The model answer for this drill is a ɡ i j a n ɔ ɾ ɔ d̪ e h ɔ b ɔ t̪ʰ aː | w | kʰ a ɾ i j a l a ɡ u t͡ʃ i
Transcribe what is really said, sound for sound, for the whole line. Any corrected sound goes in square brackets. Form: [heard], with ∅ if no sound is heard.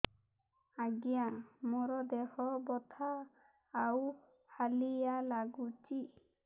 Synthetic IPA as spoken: a ɡ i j a [m] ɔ ɾ ɔ d̪ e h ɔ b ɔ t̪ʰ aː | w | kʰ a [l] i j a l a ɡ u t͡ʃ i